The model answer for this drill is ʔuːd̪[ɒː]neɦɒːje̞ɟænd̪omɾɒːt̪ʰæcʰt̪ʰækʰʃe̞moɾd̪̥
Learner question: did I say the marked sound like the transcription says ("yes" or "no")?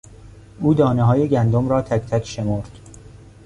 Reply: yes